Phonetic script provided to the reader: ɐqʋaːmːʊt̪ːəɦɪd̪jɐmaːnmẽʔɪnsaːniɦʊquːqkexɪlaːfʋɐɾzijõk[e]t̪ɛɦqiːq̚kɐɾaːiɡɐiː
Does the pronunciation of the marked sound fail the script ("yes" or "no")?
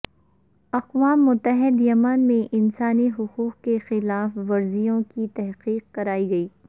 yes